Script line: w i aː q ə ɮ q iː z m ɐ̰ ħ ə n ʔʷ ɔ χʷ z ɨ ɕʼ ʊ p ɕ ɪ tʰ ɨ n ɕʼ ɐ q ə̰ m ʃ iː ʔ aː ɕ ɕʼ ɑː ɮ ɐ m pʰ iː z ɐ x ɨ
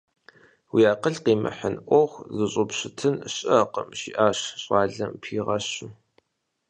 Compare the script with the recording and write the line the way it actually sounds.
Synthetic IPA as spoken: w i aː q ə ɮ q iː m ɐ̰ ħ ə n ʔʷ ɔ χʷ z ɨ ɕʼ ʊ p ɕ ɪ tʰ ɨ n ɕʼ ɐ q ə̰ m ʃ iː ʔ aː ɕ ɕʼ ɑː ɮ ɐ m pʰ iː ʁ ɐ ɕ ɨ